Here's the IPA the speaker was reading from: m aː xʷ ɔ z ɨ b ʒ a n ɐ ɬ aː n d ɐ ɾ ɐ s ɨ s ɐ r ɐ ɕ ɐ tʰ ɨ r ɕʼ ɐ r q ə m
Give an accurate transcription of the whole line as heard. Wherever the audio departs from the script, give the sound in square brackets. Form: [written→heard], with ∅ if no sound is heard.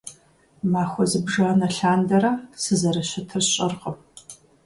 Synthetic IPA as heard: m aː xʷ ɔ z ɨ b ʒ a n ɐ ɬ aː n d ɐ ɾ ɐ s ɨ [s→z] ɐ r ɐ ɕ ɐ tʰ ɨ r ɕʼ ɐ r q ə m